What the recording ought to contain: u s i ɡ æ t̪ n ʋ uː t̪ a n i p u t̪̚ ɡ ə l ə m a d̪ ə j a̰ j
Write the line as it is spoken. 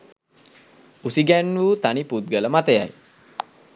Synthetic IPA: u s i ɡ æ n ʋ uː t̪ a n i p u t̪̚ ɡ ə l ə m a t̪ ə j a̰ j